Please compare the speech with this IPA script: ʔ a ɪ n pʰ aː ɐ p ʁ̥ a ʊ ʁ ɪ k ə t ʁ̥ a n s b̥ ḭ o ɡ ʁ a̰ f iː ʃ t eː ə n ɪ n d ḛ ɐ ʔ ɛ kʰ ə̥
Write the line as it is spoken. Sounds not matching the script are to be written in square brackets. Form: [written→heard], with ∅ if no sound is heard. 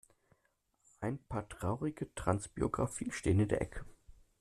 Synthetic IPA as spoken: ʔ a ɪ n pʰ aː ɐ [p→t] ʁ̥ a ʊ ʁ ɪ [k→ɡ] ə t ʁ̥ a n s b̥ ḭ o ɡ ʁ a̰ f iː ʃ t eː ə n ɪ n d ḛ ɐ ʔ ɛ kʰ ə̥